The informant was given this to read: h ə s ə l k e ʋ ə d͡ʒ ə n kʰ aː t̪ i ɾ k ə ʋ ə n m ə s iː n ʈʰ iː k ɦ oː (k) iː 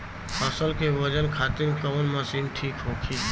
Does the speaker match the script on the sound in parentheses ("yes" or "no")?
no